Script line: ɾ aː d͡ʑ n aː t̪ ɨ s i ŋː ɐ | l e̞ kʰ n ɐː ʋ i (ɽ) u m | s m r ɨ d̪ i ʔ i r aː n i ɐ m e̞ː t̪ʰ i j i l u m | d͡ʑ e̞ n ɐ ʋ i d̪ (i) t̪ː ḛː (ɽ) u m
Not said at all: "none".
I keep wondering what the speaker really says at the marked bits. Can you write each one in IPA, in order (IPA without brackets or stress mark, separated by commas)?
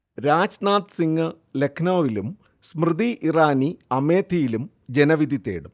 l, i, ɽ